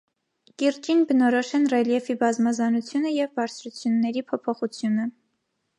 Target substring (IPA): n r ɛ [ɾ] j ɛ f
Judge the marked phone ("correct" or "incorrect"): incorrect